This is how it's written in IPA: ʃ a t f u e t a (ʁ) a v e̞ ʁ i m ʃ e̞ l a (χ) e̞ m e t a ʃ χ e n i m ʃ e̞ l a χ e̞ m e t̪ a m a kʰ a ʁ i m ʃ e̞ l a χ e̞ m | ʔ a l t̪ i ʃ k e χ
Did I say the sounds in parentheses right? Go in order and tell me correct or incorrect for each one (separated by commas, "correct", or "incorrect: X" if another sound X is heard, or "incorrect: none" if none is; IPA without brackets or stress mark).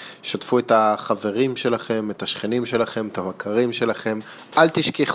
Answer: incorrect: χ, correct